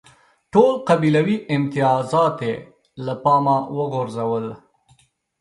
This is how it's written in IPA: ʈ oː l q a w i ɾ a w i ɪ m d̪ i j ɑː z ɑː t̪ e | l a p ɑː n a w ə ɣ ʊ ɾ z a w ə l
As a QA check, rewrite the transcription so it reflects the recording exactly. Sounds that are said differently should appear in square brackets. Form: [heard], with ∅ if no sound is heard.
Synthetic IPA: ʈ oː l q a [b] i [l] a w i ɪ m [t̪] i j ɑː z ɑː t̪ e | l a p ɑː [m] a w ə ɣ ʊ ɾ z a w ə l